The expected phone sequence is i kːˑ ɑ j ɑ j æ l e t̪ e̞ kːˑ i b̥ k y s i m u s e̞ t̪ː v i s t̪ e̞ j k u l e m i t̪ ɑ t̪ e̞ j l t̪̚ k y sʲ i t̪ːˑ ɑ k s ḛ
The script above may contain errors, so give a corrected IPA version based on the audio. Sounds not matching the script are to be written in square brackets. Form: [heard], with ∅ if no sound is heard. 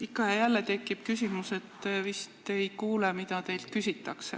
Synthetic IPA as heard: i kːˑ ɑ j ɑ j æ [lː] e t̪ e̞ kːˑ i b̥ k y s i m u s e̞ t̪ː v i s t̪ e̞ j k [uː] l e m i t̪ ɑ t̪ e̞ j l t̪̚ k y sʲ i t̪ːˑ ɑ k s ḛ